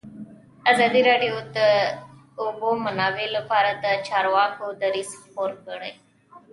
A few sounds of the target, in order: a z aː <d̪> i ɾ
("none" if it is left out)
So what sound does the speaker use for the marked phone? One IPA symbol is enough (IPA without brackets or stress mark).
d̪